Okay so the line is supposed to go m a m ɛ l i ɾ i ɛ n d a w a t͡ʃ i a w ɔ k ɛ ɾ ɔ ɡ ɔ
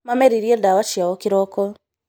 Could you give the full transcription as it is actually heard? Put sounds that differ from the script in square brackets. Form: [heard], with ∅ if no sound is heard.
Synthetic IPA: m a m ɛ [ɾ] i ɾ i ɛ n d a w a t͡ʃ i a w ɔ k [i] ɾ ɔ [k] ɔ

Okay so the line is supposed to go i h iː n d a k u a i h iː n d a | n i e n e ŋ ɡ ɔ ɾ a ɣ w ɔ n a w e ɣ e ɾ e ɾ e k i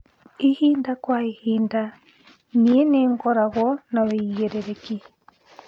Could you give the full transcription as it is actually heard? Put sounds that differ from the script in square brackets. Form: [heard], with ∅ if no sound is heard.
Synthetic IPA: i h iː n d a k [w] a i h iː n d a | n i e n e ŋ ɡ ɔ ɾ a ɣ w ɔ n a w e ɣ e ɾ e ɾ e k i

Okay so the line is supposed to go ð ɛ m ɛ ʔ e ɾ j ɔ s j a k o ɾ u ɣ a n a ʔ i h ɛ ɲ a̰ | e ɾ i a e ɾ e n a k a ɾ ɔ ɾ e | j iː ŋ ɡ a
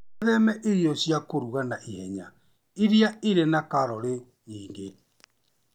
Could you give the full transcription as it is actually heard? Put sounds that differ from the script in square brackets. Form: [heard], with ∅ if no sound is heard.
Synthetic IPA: ð ɛ m ɛ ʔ e ɾ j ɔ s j a k o ɾ u ɣ a n a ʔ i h ɛ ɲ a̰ | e ɾ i a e ɾ e n a k a ɾ ɔ ɾ e | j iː ŋ ɡ [e]

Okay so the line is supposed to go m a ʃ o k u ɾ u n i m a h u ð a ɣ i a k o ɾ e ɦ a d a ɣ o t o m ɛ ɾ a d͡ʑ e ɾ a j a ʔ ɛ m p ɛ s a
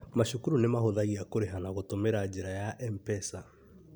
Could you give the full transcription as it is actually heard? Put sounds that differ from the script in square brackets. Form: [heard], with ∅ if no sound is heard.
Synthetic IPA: m a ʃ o k u ɾ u n [e] m a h [o] ð a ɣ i a k o ɾ e ɦ a [n] a ɣ o t o m [e] ɾ a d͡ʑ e ɾ a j a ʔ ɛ m p ɛ s a

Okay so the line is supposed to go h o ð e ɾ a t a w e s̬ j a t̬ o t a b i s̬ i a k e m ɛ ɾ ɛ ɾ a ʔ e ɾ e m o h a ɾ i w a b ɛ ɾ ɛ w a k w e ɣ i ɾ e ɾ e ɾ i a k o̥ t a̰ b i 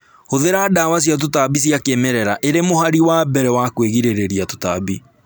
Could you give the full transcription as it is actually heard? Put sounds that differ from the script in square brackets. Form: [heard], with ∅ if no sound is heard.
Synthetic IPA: h o ð e ɾ a [d] a w [a] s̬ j a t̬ o t a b i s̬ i a k e m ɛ ɾ ɛ ɾ a ʔ e ɾ e m o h a ɾ i w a b ɛ ɾ ɛ w a k w e ɣ i ɾ e ɾ e ɾ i a [t] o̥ t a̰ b i

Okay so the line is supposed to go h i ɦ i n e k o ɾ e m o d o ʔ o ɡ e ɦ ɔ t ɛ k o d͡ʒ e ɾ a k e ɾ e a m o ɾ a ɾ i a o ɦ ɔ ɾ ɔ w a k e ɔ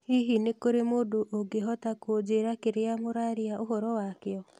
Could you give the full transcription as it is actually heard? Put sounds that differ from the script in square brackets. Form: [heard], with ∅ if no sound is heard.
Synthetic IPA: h i ɦ i n e k o ɾ e m o d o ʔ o ɡ e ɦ ɔ t [a] k o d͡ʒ e ɾ a k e ɾ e a m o ɾ a ɾ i a o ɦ ɔ ɾ ɔ w a k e ɔ

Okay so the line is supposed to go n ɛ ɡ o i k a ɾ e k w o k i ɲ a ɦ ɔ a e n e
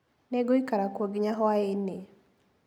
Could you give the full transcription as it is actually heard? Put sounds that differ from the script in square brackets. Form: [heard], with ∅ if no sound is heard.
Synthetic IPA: n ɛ ɡ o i k a ɾ [a] k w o [ɡ] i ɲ a ɦ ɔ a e n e

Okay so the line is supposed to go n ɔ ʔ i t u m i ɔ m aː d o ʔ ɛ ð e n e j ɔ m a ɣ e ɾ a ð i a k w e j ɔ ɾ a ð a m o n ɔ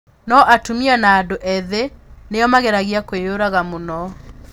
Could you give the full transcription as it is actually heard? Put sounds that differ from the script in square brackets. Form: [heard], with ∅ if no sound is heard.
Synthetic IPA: n ɔ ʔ [a] t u m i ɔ [n] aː d o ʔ ɛ ð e n e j ɔ m a ɣ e ɾ a [ɣ] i a k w e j [o] ɾ a [ɣ] a m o n ɔ

